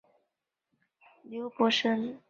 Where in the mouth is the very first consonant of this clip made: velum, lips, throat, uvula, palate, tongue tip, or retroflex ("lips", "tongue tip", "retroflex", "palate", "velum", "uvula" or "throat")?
tongue tip